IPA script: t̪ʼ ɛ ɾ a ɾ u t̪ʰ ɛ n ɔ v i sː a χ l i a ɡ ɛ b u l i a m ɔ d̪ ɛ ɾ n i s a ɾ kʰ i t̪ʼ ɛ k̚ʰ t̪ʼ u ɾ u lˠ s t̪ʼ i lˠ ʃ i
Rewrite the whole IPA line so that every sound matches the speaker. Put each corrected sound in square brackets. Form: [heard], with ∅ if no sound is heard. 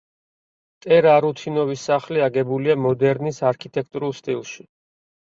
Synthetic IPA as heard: t̪ʼ ɛ ɾ a ɾ u t̪ʰ [i] n ɔ v i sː a χ l i a ɡ ɛ b u l i a m ɔ d̪ ɛ ɾ n i s a ɾ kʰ i t̪ʼ ɛ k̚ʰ t̪ʼ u ɾ u lˠ s t̪ʼ i lˠ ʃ i